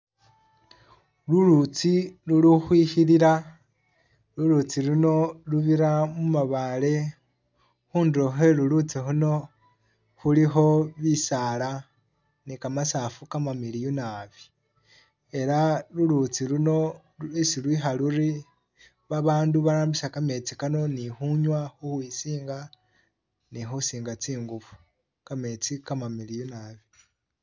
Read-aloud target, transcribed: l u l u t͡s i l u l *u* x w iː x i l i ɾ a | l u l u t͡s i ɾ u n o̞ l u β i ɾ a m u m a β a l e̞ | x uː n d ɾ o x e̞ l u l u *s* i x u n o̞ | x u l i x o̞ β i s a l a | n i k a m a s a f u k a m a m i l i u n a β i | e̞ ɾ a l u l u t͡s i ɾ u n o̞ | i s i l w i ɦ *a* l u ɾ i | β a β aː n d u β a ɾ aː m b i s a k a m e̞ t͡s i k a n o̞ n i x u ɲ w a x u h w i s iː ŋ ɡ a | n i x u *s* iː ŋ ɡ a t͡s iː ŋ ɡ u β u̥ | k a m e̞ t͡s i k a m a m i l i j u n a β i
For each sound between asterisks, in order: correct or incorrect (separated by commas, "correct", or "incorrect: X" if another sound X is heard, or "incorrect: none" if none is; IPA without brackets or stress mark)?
correct, incorrect: t͡s, correct, correct